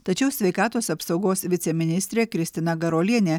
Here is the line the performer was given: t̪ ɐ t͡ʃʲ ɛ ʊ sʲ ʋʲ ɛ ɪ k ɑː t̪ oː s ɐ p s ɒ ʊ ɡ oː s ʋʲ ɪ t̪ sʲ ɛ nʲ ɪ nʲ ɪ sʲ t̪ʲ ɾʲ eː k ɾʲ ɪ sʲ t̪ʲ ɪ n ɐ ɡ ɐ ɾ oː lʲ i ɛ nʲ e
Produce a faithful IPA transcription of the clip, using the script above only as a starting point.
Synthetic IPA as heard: t̪ ɐ t͡ʃʲ ɛ ʊ sʲ ʋʲ ɛ ɪ k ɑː t̪ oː s ɐ p s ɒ ʊ ɡ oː s ʋʲ ɪ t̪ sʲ ɛ mʲ ɪ nʲ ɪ sʲ t̪ʲ ɾʲ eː k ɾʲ ɪ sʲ t̪ʲ ɪ n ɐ ɡ ɐ ɾ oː lʲ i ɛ nʲ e